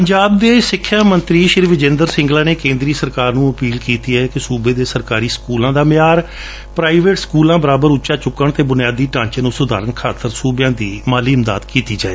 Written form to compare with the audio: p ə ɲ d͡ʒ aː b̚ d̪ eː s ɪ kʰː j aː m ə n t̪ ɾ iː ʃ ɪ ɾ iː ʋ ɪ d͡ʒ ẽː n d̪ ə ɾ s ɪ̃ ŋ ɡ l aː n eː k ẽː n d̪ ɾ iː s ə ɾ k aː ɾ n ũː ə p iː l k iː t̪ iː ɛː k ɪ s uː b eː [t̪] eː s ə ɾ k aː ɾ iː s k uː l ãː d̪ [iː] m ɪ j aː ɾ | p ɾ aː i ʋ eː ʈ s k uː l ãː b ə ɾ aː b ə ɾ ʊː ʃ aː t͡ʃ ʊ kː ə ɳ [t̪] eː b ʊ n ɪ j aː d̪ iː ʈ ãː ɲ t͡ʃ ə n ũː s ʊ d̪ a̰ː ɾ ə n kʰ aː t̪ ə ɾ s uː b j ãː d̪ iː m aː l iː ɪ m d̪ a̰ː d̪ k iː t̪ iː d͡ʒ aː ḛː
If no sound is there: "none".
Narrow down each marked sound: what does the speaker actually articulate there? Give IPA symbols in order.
d̪, aː, t̪

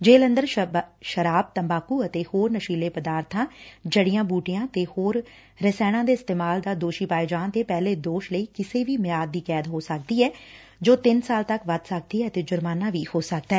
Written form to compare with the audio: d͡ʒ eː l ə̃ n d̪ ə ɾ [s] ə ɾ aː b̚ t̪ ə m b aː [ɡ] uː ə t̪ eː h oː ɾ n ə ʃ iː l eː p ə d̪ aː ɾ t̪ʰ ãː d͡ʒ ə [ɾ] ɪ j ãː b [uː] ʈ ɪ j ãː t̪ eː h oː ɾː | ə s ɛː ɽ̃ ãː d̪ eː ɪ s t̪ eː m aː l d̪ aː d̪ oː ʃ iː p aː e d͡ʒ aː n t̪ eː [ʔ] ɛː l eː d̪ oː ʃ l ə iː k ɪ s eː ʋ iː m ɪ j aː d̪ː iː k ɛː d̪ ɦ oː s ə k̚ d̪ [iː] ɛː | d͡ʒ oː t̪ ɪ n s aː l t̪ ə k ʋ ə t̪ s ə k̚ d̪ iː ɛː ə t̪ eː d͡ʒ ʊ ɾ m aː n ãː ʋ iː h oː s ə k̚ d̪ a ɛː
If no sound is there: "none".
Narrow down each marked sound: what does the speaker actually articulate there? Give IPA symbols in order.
ʃ, k, ɽ, uː, p, iː

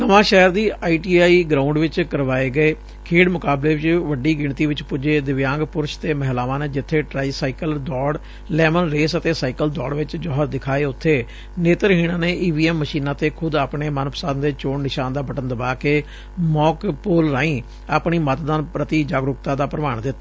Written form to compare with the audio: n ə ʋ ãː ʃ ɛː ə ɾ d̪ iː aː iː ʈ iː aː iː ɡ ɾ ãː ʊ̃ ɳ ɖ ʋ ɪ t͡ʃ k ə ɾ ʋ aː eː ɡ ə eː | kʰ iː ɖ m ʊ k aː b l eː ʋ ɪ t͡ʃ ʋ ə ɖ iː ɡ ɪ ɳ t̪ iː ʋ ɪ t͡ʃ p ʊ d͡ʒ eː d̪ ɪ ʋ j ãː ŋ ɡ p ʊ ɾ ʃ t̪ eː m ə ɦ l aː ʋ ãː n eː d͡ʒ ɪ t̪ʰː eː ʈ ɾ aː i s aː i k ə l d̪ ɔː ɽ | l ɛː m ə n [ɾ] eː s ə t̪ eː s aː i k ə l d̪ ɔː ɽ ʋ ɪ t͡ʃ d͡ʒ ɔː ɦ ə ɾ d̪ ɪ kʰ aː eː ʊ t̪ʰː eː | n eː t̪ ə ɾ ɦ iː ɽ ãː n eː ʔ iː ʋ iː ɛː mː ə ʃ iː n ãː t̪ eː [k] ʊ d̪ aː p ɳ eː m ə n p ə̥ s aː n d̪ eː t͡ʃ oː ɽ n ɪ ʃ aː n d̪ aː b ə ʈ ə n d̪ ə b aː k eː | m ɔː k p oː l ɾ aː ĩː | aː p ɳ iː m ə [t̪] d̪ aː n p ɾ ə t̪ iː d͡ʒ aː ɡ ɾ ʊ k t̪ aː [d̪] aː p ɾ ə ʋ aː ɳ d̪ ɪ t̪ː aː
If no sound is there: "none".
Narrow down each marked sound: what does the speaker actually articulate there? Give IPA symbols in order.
ɾ, kʰ, t̪, d̪

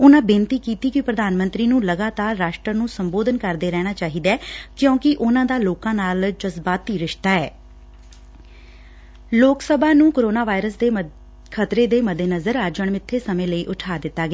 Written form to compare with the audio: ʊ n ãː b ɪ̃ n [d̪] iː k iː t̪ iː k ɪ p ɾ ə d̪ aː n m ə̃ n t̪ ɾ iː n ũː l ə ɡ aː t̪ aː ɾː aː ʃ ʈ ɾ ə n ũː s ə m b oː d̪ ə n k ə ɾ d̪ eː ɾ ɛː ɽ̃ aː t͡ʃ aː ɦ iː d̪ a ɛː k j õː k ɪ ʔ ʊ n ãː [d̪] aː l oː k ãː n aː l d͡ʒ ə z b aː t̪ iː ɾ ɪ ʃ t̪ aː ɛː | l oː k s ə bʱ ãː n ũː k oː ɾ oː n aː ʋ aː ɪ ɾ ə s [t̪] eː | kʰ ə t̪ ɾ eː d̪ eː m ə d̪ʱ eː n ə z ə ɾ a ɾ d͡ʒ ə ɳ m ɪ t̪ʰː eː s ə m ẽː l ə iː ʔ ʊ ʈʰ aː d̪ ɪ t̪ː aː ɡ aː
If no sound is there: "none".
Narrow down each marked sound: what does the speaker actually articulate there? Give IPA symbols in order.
t̪, d̪, d̪

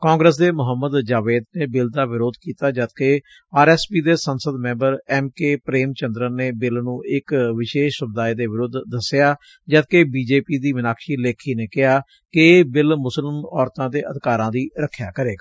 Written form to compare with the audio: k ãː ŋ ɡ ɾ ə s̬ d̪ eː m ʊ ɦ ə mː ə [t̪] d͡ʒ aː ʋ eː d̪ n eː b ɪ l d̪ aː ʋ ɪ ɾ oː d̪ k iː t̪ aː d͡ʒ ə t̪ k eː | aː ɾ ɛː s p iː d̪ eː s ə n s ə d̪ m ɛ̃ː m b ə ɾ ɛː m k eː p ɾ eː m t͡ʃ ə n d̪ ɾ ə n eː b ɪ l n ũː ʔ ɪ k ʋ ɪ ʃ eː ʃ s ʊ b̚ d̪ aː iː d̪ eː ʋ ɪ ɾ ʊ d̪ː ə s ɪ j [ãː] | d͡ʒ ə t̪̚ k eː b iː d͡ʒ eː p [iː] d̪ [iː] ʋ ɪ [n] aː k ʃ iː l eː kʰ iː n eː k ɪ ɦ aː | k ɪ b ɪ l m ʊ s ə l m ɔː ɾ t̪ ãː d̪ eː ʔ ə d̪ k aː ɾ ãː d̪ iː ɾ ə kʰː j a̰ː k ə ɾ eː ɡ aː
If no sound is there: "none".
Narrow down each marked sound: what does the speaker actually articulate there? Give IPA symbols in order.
d̪, aː, iː, iː, n

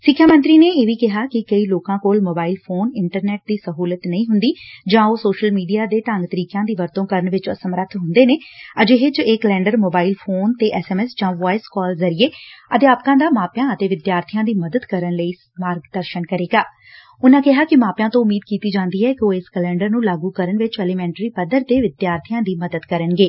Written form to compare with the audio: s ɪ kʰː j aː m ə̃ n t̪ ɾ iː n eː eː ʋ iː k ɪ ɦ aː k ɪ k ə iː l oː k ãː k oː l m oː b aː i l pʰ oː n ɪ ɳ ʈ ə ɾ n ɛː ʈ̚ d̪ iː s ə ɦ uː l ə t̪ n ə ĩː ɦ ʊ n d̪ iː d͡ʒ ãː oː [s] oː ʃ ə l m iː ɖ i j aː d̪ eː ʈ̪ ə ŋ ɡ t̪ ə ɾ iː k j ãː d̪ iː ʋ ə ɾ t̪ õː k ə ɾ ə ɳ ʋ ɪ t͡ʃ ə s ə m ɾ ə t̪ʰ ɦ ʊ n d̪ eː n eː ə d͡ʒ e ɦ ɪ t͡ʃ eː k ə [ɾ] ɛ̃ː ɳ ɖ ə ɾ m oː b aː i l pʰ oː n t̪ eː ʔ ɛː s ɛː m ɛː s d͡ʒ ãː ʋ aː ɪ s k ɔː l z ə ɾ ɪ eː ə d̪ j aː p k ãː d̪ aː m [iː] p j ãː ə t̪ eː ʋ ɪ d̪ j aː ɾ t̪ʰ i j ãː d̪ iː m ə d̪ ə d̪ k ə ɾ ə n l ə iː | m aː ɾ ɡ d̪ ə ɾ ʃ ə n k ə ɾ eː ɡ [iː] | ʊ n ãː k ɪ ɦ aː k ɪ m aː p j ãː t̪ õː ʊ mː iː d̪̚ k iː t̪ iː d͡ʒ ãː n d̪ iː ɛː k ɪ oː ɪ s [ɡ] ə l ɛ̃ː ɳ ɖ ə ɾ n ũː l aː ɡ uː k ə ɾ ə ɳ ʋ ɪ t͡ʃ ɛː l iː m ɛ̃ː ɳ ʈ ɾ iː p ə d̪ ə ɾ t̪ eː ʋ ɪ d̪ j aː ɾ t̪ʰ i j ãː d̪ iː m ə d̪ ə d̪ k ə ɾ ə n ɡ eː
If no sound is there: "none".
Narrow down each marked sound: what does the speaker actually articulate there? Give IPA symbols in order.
s, l, aː, aː, k

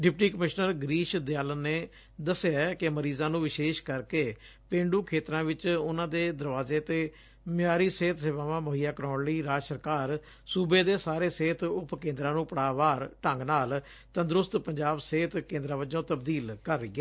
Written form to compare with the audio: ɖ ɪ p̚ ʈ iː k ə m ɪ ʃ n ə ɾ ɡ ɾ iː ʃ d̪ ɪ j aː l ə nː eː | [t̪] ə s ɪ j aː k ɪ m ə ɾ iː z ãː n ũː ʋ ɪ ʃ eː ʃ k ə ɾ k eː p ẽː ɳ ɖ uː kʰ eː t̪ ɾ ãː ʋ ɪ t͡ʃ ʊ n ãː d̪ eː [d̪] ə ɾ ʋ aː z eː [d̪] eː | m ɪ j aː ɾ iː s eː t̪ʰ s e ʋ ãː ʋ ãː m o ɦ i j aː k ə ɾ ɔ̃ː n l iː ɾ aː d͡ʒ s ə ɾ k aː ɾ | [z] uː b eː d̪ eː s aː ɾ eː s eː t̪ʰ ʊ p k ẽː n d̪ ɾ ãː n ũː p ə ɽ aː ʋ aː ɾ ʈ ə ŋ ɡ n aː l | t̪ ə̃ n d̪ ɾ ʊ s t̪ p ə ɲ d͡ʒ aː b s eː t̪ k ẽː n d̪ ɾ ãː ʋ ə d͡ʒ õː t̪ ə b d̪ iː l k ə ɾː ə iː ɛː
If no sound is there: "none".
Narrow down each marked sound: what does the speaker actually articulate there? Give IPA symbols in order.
d̪, d̪, t̪, s

